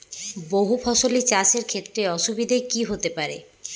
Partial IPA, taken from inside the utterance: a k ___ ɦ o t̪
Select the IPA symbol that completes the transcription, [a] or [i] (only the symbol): i